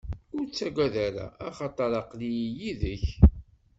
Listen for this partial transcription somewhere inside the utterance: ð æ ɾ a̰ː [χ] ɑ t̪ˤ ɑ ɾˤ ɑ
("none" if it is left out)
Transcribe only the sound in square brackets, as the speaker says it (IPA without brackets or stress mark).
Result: χ